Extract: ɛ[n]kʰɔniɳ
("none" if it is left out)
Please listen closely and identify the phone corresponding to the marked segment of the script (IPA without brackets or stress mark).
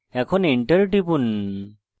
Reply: none